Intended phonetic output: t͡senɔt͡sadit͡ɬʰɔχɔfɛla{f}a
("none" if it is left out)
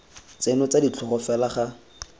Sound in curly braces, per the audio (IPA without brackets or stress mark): χ